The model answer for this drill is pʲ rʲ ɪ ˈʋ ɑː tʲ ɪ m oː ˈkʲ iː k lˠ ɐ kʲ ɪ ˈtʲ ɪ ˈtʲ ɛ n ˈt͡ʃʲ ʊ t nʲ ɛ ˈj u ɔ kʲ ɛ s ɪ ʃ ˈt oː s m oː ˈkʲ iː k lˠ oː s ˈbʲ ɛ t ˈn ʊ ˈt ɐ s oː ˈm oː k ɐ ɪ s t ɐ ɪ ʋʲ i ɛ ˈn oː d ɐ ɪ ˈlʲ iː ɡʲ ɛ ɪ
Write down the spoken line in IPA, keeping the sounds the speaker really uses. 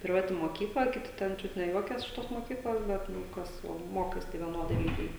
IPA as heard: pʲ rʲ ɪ ˈʋ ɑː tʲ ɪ m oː ˈkʲ iː k lˠ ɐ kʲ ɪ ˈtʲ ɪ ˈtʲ ɛ n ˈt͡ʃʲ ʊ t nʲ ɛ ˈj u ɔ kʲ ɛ s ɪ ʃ ˈt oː s m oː ˈkʲ iː k lˠ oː s ˈbʲ ɛ t ˈn ʊ ˈk ɐ s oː ˈm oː k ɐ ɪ s t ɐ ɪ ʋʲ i ɛ ˈn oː d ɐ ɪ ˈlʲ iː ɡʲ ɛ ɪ